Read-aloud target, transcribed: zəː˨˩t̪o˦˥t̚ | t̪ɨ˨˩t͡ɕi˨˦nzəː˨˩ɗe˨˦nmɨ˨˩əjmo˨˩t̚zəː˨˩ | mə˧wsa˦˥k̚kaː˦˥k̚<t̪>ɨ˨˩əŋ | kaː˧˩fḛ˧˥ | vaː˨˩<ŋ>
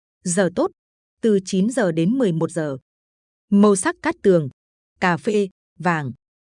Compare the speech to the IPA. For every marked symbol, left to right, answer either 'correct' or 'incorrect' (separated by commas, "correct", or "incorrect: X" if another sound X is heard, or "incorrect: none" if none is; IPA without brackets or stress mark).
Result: correct, correct